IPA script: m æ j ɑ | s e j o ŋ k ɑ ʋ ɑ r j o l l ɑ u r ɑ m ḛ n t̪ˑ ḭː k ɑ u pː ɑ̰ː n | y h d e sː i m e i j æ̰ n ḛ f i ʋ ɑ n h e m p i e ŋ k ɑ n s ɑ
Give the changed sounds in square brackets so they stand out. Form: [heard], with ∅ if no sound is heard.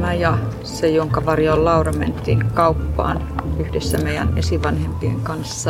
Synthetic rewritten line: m æ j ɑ | s e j o ŋ k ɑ ʋ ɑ r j o l l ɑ u r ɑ m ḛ n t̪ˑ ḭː k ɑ u pː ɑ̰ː n | y h d e sː [æ] m e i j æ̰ n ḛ [s] i ʋ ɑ n h e m p i e ŋ k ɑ n [sː] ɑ